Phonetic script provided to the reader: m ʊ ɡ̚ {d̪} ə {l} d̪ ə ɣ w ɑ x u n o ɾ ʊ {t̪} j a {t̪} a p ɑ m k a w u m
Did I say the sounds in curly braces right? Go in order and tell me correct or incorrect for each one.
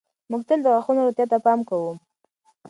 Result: incorrect, correct, correct, correct

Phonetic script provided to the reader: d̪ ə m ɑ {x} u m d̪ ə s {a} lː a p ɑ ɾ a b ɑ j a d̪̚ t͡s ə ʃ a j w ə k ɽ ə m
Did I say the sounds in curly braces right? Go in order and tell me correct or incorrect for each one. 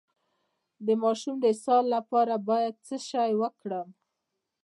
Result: incorrect, incorrect

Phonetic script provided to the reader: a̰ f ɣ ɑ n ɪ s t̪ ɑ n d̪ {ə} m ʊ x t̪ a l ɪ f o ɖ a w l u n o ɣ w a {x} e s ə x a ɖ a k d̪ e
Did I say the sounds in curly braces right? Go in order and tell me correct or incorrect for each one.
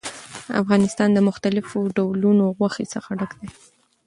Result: correct, correct

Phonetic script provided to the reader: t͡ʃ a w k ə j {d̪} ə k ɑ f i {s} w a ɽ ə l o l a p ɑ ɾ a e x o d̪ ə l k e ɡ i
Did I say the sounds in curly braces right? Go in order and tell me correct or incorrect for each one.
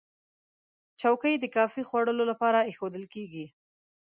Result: correct, incorrect

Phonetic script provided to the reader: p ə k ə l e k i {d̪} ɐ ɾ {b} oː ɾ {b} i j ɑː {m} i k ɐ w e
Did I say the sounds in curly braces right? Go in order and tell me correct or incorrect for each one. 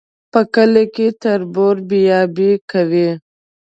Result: incorrect, correct, correct, incorrect

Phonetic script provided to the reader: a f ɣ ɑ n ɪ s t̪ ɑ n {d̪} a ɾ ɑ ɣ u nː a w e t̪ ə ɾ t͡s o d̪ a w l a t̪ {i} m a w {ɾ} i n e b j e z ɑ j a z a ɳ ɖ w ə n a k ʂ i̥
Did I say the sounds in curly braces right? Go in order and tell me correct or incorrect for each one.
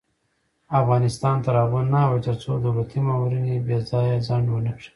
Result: incorrect, correct, correct

